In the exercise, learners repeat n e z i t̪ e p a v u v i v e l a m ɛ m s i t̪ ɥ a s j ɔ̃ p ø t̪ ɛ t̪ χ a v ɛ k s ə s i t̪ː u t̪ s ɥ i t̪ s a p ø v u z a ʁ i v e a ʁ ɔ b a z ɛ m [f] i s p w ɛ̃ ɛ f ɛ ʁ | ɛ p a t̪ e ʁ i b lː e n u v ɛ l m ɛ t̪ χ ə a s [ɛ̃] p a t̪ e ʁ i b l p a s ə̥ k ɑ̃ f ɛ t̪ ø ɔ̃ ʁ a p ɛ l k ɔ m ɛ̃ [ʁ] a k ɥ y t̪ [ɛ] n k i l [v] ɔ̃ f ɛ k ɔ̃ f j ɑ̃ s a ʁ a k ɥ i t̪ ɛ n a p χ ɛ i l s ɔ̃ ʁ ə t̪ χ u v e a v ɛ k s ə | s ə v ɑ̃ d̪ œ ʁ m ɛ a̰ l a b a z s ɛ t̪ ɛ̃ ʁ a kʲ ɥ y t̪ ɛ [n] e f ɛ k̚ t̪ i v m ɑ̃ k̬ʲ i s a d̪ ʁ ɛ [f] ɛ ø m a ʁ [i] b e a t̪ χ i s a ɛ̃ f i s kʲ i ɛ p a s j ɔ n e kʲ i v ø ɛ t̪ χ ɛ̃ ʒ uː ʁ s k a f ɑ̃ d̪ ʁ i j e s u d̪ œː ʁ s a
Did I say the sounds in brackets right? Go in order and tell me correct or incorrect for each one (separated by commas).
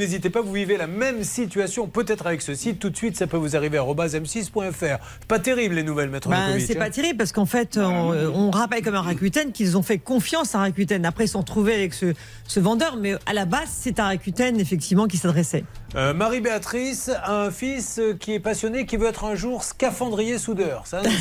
incorrect, incorrect, correct, correct, incorrect, correct, incorrect, correct